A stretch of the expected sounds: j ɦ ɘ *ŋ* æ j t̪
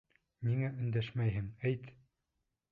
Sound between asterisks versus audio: correct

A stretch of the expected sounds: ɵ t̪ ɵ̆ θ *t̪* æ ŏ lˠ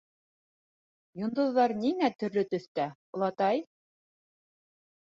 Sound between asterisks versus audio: correct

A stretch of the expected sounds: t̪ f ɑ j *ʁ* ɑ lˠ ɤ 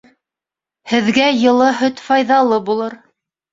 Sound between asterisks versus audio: incorrect: ð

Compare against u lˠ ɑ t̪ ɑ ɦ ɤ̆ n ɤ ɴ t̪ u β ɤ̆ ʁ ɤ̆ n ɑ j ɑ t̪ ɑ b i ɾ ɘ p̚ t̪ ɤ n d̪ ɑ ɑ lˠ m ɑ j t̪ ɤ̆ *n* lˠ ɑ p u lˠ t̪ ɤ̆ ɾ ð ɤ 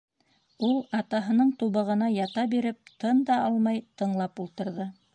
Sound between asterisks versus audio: incorrect: ɴ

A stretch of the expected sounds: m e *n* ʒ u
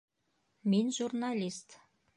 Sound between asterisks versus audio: correct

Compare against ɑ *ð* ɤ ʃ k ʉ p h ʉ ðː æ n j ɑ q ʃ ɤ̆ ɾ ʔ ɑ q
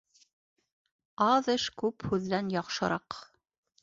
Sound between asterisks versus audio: correct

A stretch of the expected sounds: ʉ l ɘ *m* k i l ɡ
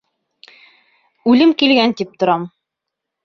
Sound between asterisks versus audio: correct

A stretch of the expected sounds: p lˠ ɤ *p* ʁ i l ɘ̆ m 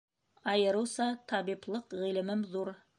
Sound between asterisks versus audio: incorrect: q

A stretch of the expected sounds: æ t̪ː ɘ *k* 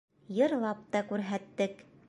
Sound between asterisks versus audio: correct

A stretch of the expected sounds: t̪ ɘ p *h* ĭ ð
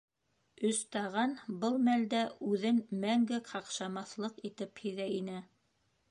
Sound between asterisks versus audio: correct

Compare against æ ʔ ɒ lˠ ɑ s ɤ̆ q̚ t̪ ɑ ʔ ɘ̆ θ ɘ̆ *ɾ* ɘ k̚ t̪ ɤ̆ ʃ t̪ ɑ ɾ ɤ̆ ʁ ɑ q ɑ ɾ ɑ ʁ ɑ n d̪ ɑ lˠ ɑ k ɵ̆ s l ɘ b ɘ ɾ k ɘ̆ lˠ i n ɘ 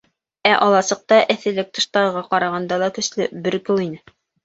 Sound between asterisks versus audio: incorrect: l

